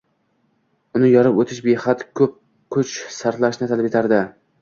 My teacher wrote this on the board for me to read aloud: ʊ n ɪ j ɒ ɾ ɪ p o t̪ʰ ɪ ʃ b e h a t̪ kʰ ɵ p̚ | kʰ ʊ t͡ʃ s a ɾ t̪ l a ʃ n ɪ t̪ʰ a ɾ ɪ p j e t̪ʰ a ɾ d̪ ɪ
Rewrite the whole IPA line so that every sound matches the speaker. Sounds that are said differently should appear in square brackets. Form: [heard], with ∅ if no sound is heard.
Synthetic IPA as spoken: ʊ n ɪ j ɒ ɾ ɪ p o t̪ʰ ɪ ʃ b e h a t̪ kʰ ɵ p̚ | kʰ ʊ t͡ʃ s a ɾ t̪ l a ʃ n ɪ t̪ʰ a [l] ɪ p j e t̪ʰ a ɾ d̪ ɪ